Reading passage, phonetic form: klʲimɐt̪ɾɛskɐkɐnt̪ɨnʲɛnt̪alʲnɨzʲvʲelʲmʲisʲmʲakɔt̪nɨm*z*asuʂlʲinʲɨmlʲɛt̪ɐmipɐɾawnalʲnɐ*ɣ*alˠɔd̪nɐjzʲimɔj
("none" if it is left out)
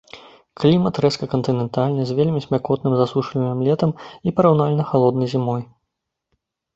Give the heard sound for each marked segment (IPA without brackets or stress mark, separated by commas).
z, x